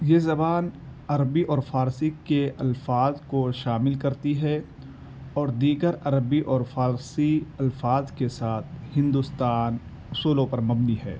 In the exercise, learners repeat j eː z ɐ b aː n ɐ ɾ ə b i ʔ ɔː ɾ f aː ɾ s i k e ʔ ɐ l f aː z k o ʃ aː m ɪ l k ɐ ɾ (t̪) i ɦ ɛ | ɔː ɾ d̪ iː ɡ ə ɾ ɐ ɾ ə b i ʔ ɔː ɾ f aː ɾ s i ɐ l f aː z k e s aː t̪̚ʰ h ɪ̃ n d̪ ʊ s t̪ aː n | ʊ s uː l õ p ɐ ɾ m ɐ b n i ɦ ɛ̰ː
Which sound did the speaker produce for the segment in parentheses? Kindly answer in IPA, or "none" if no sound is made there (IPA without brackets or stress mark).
t̪